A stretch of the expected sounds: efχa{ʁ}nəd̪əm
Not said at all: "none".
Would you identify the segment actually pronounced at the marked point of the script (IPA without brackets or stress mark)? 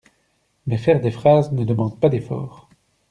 z